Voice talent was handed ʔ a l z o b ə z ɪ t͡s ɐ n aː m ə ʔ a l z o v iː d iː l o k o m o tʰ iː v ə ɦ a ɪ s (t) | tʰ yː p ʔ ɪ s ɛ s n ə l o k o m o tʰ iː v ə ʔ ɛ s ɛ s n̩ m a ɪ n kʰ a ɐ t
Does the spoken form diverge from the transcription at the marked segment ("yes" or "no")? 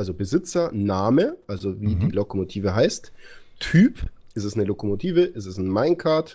no